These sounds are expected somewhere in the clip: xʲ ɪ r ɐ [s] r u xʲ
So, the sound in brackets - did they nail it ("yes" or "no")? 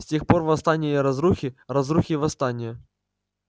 no